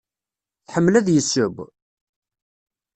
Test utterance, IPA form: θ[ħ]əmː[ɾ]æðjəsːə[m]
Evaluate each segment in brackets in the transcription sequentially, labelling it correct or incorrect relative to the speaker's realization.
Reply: correct, incorrect: l, incorrect: b

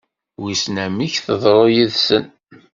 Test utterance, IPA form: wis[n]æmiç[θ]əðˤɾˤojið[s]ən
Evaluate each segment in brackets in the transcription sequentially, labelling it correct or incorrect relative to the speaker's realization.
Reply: correct, correct, correct

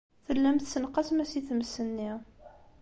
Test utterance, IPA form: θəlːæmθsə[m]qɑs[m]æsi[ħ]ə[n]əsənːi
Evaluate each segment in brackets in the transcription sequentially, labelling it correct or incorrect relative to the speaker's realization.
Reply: incorrect: n, correct, incorrect: θ, incorrect: m

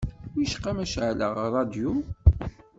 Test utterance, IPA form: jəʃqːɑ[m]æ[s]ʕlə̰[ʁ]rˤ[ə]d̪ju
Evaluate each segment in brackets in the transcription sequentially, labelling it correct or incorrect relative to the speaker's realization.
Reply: correct, incorrect: ʃ, correct, incorrect: ɑ

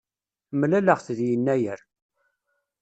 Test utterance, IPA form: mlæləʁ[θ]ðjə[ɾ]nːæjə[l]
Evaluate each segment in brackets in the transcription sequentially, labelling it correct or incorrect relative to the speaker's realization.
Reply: correct, incorrect: none, incorrect: ɾ

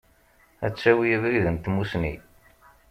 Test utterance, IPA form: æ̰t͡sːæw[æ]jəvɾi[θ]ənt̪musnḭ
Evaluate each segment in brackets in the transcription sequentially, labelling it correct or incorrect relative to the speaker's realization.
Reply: incorrect: i, incorrect: ð

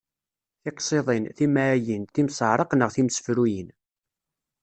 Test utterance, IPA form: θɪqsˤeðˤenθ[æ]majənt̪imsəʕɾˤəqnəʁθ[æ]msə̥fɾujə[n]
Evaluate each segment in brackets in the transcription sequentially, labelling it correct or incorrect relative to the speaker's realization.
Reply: incorrect: i, incorrect: i, correct

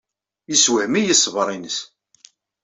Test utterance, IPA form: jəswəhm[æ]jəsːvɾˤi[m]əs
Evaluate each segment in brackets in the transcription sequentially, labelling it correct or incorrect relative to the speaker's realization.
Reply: incorrect: i, incorrect: n

